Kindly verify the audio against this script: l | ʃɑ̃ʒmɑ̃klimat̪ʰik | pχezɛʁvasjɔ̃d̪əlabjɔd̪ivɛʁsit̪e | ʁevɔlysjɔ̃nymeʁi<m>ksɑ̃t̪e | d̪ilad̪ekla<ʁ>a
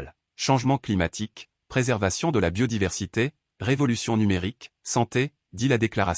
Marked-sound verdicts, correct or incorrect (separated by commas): incorrect, correct